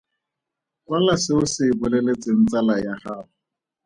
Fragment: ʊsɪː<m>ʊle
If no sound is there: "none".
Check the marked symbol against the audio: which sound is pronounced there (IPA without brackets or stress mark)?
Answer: b